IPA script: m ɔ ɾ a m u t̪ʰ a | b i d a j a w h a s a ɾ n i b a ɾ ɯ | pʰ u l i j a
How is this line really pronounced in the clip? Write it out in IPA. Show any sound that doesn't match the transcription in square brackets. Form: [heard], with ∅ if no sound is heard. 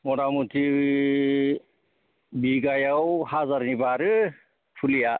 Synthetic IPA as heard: m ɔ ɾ a m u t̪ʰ [i] | b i [ɡ] a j a w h a [z] a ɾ n i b a ɾ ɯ | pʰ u l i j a